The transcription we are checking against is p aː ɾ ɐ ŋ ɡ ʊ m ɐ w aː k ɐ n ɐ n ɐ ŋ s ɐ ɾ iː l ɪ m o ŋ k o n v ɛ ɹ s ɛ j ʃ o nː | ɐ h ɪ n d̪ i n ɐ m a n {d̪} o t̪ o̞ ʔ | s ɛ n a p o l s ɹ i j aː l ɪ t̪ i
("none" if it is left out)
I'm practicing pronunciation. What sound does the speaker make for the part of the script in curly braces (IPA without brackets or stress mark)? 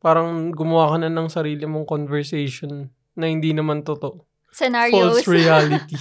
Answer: t̪